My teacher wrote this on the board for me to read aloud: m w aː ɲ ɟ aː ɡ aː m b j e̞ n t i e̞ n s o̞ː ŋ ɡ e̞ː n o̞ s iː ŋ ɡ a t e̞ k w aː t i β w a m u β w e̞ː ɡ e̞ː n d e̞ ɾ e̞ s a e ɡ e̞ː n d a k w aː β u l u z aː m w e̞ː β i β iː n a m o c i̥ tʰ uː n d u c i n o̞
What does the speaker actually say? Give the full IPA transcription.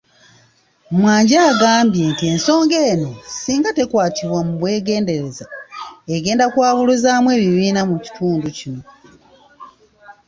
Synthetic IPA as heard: m w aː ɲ ɟ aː ɡ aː m b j e̞ n t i e̞ n s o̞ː ŋ ɡ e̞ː n o̞ s iː ŋ ɡ a t e̞ k w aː t i β w a m u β w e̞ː ɡ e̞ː n d e̞ ɾ e̞ z a e ɡ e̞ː n d a k w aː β u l u z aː m w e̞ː β i β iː n a m u c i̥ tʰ uː n d u c i n o̞